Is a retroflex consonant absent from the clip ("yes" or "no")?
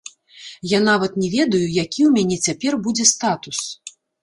yes